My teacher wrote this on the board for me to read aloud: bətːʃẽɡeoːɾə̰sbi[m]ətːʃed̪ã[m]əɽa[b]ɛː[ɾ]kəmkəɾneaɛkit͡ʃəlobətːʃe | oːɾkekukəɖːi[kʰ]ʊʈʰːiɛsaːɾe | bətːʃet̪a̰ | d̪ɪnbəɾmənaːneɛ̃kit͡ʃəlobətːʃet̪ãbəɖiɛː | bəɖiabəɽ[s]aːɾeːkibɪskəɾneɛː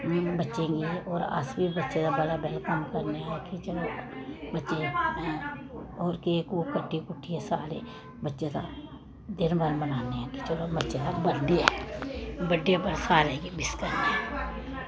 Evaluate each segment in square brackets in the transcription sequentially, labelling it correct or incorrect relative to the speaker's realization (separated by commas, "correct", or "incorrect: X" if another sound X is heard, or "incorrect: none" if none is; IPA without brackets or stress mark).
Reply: incorrect: b, incorrect: b, correct, incorrect: l, incorrect: k, correct